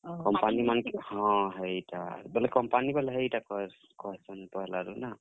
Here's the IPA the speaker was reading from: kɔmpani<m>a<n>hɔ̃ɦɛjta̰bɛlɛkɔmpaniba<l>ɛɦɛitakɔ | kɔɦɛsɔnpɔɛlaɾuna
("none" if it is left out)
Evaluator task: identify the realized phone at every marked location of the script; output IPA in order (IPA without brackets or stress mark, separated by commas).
m, n, l